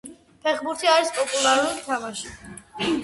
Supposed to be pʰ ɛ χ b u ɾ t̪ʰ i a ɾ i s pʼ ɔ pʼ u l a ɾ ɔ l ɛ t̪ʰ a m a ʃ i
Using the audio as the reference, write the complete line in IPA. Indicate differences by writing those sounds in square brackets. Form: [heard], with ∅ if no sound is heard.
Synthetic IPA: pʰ ɛ χ b u ɾ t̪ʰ i a ɾ i s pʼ ɔ pʼ u l a ɾ [u] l [i] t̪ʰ a m a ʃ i